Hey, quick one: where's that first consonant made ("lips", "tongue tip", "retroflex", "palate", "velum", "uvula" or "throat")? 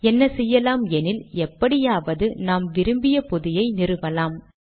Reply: tongue tip